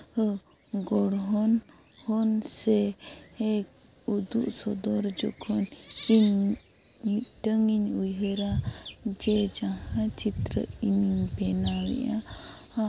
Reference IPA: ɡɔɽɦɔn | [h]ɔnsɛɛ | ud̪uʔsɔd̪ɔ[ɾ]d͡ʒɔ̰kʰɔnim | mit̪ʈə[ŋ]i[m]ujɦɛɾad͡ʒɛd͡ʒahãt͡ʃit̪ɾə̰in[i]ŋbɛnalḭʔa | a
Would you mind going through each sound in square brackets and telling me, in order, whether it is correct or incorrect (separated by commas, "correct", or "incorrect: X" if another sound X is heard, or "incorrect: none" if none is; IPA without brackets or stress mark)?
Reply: correct, correct, correct, incorrect: ɲ, correct